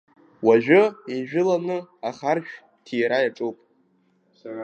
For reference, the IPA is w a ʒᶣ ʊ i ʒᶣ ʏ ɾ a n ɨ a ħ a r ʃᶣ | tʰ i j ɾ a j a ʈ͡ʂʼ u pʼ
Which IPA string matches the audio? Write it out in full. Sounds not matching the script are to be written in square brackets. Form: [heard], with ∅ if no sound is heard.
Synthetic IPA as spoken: w a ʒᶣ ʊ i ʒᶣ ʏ [l] a n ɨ a [χ] a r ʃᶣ | tʰ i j ɾ a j a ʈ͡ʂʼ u pʼ